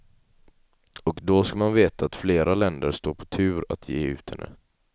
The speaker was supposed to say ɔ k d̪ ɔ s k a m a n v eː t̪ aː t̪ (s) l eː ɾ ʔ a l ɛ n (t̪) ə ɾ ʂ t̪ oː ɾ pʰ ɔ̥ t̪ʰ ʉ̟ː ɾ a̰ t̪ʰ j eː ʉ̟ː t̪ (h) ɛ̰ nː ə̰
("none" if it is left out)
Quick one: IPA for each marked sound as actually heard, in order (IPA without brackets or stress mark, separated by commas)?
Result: f, d̪, h